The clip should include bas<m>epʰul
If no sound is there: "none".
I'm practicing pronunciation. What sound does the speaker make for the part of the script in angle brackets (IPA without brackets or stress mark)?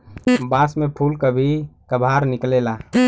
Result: m